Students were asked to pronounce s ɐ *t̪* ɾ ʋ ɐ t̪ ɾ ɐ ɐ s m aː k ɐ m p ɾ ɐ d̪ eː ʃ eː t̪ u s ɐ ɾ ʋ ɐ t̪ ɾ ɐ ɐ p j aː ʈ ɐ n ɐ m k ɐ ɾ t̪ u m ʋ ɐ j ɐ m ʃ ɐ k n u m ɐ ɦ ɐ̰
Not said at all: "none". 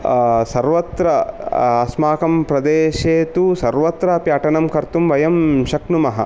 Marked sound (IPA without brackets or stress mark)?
none